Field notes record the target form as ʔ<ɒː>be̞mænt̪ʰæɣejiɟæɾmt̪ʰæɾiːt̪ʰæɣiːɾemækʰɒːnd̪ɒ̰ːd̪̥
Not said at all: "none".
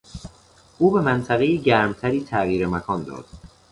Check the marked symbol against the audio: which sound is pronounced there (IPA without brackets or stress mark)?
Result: uː